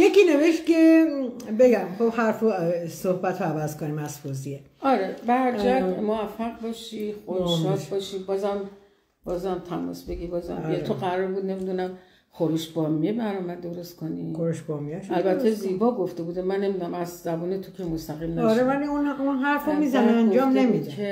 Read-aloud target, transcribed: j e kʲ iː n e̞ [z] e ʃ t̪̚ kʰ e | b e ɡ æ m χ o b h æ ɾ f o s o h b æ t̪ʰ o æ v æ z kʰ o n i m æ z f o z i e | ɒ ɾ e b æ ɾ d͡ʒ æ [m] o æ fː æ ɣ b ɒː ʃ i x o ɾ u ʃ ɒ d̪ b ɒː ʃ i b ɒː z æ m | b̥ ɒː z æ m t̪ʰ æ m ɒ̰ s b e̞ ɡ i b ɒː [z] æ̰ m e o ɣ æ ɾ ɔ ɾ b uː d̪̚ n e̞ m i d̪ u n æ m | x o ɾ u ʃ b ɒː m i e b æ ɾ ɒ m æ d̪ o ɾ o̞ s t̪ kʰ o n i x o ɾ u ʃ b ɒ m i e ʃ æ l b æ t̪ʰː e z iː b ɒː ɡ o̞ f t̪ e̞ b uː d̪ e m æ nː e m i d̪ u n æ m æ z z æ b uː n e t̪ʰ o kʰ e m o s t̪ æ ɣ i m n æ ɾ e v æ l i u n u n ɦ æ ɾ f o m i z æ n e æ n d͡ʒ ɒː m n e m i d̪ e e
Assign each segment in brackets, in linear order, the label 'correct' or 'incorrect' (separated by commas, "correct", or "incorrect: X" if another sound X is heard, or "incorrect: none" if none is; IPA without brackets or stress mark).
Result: incorrect: v, correct, correct